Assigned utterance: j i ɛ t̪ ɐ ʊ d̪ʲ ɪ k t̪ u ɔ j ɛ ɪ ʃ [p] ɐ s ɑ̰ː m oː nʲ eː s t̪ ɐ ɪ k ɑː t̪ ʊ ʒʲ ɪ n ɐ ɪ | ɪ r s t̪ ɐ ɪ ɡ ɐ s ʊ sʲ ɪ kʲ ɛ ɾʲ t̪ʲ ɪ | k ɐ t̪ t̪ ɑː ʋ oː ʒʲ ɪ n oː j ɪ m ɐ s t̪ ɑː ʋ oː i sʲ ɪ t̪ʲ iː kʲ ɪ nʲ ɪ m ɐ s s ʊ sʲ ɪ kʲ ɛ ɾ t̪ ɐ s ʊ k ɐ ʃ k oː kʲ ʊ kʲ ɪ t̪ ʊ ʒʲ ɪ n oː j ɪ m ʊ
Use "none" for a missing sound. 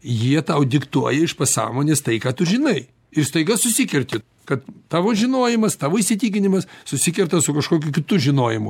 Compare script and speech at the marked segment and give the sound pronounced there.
p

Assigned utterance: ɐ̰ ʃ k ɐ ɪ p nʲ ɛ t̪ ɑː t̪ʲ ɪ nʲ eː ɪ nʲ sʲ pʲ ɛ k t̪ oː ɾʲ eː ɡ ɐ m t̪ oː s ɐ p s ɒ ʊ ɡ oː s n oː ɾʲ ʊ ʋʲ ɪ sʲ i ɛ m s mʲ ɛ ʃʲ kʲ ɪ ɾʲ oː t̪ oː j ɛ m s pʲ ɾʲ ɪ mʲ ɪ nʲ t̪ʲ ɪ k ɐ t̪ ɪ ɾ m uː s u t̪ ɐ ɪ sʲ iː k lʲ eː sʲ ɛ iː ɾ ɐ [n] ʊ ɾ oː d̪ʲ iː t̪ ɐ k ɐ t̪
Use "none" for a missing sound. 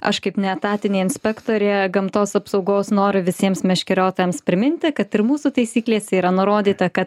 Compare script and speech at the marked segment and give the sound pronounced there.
n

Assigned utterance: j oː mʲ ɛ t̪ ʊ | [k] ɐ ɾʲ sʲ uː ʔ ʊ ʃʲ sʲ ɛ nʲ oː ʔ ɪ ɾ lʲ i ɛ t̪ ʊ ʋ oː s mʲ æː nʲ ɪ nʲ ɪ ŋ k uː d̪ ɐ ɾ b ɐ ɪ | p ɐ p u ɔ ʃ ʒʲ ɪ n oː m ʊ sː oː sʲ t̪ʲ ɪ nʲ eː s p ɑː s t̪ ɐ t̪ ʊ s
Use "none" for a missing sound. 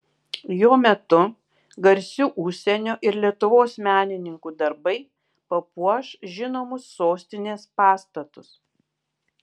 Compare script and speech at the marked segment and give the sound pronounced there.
ɡ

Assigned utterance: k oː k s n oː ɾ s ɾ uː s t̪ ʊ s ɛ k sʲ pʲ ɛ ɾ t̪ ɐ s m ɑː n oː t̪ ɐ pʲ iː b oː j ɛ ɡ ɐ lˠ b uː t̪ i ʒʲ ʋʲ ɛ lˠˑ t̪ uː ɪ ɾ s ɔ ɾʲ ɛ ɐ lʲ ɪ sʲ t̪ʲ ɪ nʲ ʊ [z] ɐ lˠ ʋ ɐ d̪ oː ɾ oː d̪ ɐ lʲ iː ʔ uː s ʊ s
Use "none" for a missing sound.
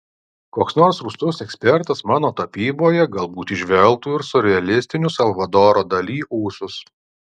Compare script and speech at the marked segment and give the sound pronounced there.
s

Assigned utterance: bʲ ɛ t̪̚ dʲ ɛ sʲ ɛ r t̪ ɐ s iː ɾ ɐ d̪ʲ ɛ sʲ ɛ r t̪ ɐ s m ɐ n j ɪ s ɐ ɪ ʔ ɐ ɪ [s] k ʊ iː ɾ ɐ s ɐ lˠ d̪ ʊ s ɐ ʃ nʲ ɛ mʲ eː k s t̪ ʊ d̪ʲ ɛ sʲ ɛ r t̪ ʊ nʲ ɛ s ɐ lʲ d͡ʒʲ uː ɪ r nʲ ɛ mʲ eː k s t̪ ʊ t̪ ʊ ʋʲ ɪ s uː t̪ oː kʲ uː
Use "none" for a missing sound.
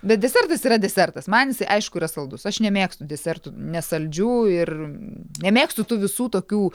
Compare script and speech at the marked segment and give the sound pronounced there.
ʃ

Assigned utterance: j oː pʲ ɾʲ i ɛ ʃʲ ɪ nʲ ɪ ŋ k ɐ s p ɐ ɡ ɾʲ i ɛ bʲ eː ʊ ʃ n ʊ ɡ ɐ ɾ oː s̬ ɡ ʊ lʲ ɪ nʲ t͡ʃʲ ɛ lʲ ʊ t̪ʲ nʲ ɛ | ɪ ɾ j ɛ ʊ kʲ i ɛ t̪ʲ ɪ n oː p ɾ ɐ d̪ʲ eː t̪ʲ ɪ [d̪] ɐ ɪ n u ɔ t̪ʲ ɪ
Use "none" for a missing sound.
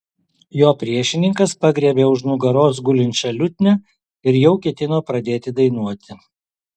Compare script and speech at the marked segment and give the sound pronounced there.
d̪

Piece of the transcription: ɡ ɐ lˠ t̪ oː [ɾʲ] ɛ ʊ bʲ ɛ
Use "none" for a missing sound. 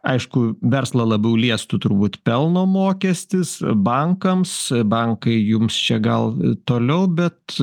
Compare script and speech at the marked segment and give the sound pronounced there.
lʲ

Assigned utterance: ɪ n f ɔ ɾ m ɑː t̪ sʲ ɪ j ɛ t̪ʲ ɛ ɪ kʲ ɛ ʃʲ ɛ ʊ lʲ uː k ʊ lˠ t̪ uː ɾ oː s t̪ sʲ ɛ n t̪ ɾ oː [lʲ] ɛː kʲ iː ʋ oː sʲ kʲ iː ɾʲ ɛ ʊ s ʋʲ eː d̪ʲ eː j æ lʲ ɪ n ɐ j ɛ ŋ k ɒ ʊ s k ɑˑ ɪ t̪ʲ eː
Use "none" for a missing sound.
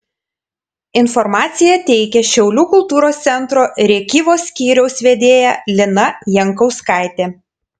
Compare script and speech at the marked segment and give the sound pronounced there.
ɾʲ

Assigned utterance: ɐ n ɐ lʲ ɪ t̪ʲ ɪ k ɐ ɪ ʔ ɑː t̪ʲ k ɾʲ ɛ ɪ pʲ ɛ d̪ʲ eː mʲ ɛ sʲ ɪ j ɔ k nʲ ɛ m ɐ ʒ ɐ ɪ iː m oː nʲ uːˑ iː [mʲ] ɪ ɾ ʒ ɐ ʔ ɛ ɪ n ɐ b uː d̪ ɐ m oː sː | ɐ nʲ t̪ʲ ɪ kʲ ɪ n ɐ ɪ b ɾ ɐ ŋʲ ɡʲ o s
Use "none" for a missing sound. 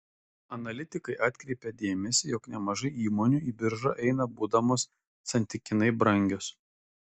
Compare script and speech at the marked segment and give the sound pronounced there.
bʲ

